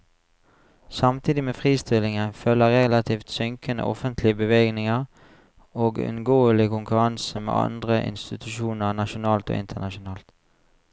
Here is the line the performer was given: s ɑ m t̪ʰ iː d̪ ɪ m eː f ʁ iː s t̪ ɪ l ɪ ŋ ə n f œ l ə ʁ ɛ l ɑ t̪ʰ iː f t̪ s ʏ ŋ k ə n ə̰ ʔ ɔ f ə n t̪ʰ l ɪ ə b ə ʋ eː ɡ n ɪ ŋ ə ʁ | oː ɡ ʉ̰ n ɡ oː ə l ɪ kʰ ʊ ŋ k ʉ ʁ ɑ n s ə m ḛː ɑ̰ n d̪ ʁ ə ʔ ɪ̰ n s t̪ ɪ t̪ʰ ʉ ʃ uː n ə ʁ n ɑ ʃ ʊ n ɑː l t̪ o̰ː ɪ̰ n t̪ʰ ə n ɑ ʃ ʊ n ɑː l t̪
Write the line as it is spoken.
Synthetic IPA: s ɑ m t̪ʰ iː d̪ ɪ m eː f ʁ iː s t̪ ɪ l ɪ ŋ ə n f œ l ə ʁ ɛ l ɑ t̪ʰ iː f t̪ s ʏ ŋ k ə n ə̰ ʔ ɔ f ə n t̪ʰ l ɪ ə b ə ʋ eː ɡ n ɪ ŋ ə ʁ | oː ɡ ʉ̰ n ɡ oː ə l ɪ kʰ ʊ ŋ k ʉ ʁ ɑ n s ə m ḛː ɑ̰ n d̪ ʁ ə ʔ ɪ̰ n s t̪ ɪ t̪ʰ ʉ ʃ uː n ə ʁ n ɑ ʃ ʊ n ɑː l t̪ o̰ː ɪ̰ n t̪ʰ ə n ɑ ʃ ʊ n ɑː l t̪